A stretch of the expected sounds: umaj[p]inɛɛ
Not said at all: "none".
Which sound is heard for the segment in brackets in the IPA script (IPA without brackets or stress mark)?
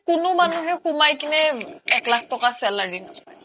k